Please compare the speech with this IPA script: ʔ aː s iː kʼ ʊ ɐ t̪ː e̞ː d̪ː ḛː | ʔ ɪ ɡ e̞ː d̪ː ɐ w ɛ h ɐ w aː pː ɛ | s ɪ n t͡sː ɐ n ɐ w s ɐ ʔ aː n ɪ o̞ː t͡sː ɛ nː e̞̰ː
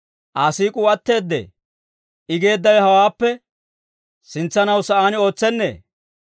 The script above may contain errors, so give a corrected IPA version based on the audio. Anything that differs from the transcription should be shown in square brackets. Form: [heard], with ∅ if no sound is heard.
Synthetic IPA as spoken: ʔ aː s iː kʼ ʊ ɐ t̪ː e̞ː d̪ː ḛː | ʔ ɪ ɡ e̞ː d̪ː ɐ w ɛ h ɐ w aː pː ɛ | s ɪ n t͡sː ɐ n ɐ w s ɐ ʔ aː n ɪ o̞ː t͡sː ɛ nː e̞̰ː